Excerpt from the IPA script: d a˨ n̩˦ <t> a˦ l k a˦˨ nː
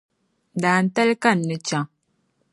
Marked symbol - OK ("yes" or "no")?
yes